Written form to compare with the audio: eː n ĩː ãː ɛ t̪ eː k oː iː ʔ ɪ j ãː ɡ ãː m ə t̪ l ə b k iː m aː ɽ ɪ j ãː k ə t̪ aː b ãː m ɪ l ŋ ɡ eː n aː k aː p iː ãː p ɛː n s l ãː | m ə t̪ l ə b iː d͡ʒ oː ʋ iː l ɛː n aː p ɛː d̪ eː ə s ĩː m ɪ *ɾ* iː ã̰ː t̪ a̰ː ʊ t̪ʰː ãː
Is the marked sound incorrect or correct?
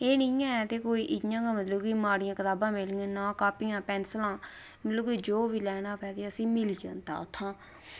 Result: incorrect